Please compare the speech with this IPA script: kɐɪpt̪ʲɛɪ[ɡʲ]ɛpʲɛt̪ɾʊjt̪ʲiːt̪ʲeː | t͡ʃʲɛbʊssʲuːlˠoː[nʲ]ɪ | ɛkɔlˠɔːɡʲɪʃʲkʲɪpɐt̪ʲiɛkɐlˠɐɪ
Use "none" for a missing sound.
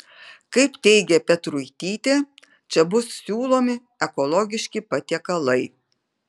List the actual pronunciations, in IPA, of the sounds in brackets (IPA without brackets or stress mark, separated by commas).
ɡʲ, mʲ